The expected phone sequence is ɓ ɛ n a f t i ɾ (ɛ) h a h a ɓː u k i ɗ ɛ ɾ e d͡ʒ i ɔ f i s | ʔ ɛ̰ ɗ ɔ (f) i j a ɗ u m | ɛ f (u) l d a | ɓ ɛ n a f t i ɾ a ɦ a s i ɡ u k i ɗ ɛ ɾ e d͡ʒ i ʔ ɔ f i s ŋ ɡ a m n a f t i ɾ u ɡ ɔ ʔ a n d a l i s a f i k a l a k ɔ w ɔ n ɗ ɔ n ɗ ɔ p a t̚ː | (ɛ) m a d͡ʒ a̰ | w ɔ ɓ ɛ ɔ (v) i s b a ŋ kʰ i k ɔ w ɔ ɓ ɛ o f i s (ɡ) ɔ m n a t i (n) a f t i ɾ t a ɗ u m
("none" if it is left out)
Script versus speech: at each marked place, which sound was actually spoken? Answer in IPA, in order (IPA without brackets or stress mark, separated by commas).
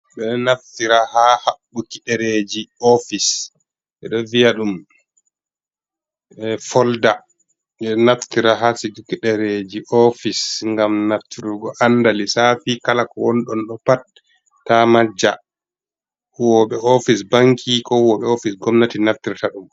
a, v, ɔ, a, f, ɡ, n